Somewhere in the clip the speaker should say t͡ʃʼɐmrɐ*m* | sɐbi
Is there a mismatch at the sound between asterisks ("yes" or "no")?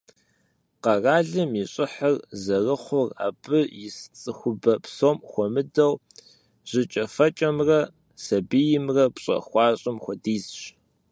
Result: yes